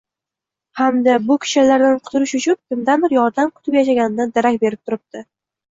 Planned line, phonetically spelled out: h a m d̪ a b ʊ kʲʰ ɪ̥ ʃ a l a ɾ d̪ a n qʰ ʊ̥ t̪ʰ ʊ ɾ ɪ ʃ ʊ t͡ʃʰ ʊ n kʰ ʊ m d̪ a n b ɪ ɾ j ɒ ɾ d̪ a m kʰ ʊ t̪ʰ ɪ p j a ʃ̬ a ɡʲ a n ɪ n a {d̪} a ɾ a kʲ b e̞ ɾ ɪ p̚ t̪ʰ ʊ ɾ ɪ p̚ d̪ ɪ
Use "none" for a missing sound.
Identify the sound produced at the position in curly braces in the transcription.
d̪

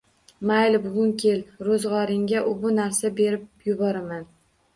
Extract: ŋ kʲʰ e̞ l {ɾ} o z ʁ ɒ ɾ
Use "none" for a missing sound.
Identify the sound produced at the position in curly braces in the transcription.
ɾ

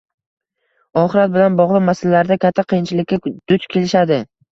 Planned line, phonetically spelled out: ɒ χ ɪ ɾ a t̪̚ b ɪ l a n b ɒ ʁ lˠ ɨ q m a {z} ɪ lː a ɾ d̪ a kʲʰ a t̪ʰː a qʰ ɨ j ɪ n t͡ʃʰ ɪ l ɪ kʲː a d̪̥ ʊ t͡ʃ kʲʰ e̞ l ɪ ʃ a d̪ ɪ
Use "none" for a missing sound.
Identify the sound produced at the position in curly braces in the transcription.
s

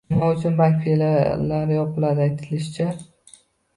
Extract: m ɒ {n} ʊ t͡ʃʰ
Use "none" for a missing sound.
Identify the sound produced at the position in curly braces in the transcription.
none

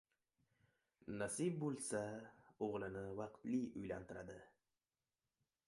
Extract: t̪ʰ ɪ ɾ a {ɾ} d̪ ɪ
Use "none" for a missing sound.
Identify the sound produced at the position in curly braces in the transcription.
none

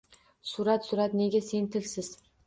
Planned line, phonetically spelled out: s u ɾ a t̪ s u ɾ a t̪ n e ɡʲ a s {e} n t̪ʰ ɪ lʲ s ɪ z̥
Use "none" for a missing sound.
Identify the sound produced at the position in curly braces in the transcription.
e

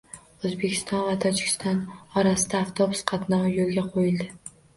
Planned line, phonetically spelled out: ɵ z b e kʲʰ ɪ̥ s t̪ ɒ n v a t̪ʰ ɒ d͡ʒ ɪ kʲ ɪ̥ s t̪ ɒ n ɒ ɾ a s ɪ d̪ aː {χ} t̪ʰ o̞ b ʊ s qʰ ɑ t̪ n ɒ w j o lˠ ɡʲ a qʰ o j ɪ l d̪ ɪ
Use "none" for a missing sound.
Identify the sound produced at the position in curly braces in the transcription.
f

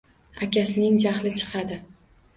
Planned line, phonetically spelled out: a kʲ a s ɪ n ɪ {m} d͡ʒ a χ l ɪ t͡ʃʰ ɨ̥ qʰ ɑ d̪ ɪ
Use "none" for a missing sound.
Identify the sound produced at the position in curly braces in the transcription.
ŋ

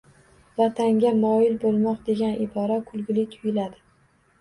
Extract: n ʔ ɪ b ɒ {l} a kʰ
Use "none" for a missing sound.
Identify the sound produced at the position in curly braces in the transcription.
ɾ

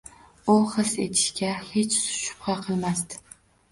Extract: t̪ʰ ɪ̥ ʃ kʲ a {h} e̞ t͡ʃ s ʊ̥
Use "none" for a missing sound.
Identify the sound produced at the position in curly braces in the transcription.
h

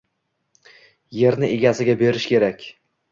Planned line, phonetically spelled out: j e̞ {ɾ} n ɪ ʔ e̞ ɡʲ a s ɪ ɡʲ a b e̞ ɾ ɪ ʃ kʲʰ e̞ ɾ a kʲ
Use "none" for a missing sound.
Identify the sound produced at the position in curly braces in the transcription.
ɾ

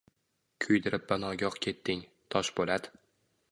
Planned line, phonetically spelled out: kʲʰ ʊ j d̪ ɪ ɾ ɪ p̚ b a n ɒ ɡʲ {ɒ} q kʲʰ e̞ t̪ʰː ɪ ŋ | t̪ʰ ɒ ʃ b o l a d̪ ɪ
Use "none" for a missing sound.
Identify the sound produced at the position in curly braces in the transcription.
ɒ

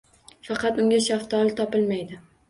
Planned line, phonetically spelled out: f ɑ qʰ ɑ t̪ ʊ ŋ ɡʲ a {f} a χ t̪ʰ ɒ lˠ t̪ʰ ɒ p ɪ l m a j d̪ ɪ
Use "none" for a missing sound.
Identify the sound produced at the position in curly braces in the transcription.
ʃ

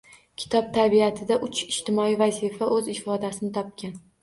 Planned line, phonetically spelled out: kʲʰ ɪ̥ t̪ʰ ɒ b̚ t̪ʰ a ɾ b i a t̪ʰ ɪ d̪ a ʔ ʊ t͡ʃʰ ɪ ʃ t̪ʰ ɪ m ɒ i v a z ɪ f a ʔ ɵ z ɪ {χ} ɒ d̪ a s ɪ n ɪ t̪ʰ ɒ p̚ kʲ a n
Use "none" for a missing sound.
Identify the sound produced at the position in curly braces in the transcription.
f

